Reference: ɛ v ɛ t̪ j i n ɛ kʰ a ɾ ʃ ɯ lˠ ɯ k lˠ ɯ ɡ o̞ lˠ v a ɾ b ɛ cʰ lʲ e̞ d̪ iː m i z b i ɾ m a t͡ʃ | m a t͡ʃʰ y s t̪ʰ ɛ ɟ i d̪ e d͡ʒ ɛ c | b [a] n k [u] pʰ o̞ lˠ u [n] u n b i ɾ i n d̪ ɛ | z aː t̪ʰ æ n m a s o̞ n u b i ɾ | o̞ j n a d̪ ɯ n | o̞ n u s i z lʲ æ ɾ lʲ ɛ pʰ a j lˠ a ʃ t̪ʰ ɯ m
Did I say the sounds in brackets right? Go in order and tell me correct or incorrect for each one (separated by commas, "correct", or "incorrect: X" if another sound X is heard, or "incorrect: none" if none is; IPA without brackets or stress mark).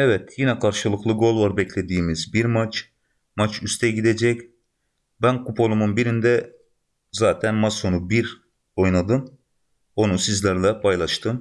incorrect: æ, correct, incorrect: m